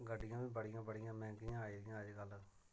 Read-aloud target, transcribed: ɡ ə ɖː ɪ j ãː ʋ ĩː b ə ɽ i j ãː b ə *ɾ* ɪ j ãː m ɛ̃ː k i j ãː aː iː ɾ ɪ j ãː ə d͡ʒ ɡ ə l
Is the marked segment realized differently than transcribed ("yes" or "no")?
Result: yes